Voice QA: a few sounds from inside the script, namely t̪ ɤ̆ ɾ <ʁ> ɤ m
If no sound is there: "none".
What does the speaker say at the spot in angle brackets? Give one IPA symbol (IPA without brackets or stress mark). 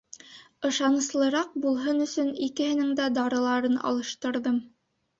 ð